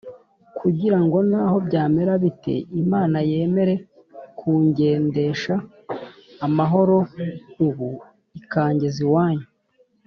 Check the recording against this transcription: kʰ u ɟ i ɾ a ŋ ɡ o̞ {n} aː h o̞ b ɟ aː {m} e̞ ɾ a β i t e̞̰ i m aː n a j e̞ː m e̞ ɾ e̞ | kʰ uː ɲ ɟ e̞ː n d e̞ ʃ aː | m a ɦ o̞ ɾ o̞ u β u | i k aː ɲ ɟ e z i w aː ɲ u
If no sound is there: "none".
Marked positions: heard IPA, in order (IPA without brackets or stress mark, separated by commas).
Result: n, m